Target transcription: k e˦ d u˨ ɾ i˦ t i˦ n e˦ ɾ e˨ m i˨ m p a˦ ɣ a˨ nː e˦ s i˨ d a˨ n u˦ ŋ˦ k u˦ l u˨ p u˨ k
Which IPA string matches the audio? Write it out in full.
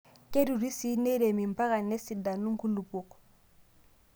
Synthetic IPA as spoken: k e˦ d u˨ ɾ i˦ s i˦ n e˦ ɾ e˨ m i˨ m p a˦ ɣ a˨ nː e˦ s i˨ d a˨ n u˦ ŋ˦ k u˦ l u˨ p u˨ k